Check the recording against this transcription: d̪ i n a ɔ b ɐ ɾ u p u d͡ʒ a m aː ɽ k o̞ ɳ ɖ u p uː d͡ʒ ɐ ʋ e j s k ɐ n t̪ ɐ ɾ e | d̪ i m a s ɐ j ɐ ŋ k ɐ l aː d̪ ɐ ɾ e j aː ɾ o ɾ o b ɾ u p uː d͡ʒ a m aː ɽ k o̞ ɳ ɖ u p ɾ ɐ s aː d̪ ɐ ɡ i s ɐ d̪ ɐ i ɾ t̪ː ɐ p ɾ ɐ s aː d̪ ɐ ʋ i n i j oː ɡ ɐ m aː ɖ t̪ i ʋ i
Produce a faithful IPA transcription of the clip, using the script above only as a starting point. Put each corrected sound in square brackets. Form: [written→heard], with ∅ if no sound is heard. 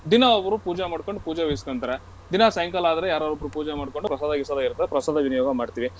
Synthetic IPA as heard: d̪ i n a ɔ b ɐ ɾ u p [u→uː] d͡ʒ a m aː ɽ k o̞ ɳ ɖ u p uː d͡ʒ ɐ ʋ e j s k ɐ n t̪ ɐ ɾ e | d̪ i [m→n] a s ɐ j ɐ ŋ k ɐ l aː d̪ ɐ ɾ e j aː ɾ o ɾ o b ɾ u p uː d͡ʒ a m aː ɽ k o̞ ɳ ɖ u p ɾ ɐ s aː d̪ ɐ ɡ i s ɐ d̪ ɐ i ɾ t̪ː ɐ p ɾ ɐ s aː d̪ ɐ ʋ i n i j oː ɡ ɐ m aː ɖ t̪ i ʋ i